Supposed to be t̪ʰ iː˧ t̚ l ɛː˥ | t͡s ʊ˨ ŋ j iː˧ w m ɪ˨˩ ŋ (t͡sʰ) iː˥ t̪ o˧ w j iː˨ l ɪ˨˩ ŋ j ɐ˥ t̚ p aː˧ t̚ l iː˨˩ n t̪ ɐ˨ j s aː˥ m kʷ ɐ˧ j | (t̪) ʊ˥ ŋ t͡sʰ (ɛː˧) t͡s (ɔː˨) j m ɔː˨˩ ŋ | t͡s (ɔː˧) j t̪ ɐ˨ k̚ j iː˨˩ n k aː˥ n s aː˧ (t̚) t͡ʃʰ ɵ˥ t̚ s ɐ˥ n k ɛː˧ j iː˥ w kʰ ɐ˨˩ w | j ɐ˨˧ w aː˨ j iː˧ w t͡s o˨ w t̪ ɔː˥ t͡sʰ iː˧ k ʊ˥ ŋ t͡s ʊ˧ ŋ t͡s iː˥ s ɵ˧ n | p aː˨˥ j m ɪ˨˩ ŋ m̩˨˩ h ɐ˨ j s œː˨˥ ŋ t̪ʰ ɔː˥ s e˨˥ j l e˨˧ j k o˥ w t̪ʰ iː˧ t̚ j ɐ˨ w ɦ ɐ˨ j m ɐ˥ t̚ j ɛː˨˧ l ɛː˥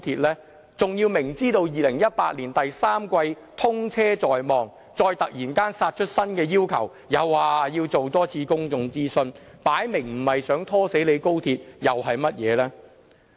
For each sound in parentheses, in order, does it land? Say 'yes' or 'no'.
no, no, no, yes, yes, yes

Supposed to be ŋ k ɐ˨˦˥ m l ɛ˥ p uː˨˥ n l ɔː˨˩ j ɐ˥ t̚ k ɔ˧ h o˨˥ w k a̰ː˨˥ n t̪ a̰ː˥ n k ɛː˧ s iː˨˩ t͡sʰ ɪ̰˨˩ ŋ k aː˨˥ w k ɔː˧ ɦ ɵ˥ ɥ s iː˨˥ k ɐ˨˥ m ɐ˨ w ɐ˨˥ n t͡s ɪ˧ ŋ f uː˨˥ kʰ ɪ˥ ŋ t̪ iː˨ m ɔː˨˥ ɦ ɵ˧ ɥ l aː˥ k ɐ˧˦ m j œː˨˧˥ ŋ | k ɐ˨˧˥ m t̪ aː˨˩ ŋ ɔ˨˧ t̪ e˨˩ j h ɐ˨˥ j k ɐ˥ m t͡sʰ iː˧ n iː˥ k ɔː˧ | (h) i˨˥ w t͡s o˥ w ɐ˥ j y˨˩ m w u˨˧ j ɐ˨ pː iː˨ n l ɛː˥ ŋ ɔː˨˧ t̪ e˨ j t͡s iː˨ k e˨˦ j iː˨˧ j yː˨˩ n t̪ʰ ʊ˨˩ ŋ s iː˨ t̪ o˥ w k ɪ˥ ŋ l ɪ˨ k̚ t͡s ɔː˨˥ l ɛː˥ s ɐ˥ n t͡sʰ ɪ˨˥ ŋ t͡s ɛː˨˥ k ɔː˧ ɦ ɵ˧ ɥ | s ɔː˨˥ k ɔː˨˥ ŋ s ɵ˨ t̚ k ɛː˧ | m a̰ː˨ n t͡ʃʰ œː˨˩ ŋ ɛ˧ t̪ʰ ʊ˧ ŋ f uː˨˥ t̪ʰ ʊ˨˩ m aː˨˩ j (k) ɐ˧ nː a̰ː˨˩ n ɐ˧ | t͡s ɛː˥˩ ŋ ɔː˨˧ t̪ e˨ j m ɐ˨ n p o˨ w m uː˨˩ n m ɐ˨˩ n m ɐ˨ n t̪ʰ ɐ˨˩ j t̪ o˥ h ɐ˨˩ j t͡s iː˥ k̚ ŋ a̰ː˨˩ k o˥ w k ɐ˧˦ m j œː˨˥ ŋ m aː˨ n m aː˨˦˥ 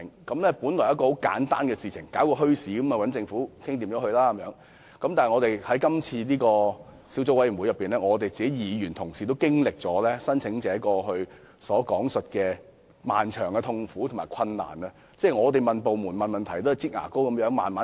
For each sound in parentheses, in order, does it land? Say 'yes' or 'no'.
no, no

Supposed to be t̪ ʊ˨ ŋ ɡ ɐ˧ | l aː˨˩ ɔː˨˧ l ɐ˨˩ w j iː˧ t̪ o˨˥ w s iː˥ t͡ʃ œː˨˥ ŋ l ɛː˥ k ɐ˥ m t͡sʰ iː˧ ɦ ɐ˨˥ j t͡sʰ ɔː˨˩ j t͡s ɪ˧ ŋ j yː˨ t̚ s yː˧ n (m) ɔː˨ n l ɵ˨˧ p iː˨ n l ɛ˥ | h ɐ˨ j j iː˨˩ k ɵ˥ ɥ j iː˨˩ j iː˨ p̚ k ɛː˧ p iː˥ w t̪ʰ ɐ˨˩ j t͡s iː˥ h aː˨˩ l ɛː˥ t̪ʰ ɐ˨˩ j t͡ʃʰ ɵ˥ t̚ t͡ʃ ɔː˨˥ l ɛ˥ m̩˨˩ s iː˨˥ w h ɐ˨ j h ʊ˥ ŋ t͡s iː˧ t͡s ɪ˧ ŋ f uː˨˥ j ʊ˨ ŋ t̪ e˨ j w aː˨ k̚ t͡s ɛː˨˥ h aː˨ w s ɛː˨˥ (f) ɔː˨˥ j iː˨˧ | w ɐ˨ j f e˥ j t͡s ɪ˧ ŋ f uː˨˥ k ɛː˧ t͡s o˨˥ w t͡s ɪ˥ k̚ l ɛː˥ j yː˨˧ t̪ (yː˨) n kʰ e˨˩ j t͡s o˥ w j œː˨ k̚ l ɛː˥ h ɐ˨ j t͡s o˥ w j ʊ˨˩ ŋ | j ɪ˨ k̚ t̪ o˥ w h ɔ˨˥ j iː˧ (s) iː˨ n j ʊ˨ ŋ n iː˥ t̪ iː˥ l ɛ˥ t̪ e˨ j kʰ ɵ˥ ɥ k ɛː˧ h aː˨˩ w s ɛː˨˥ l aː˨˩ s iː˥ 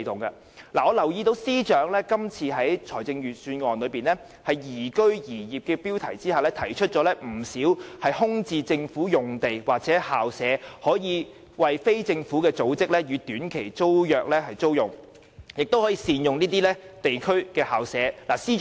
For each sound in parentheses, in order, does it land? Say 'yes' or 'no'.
no, no, no, yes

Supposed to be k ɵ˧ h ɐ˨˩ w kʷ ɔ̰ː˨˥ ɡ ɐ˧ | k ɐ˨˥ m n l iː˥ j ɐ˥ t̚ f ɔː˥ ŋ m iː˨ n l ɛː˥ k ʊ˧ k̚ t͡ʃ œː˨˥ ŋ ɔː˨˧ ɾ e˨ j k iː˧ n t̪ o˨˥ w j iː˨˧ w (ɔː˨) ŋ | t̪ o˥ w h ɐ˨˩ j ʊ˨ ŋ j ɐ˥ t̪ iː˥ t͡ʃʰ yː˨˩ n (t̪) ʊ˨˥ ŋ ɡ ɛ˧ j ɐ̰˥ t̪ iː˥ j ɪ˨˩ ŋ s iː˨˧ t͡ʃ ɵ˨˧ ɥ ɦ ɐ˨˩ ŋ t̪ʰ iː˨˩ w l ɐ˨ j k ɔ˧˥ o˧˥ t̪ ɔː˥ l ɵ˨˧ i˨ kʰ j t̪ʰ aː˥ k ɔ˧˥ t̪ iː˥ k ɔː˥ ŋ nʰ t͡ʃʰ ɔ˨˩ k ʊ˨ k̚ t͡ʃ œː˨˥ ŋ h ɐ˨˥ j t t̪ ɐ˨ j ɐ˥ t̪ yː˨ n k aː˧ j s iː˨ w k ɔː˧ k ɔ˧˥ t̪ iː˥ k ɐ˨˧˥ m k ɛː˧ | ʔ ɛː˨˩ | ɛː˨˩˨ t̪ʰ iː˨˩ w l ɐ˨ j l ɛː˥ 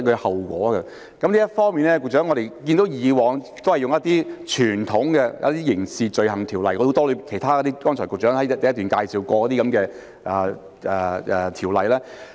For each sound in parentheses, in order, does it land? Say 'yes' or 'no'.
yes, no

